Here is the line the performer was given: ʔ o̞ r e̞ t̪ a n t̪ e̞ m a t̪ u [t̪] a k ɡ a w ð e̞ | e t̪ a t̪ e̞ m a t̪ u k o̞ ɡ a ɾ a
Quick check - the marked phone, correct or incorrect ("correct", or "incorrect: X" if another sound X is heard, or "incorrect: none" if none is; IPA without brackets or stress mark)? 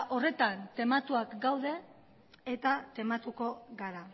incorrect: none